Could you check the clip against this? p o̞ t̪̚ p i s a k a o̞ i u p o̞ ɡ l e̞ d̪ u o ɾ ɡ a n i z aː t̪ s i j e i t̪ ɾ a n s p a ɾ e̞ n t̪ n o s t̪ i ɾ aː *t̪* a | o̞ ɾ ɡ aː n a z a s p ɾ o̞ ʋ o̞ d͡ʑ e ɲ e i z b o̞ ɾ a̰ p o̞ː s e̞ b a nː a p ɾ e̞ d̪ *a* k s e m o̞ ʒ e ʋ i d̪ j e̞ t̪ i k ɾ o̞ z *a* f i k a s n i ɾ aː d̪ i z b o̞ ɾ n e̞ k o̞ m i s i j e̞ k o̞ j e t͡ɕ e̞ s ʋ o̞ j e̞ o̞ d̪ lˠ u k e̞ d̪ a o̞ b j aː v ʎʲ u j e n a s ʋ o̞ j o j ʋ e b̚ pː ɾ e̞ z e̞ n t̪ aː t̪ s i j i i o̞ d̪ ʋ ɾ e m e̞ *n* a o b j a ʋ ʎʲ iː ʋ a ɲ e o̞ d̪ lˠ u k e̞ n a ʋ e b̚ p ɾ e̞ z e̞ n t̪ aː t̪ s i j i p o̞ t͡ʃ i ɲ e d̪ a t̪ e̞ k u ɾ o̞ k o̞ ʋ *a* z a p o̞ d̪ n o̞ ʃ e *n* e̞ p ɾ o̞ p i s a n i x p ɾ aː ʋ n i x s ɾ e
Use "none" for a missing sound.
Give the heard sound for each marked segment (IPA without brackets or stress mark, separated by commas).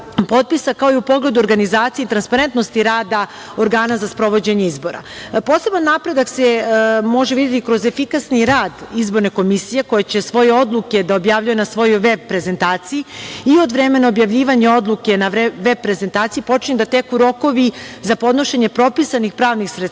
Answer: d̪, a, e, n, i, ɲ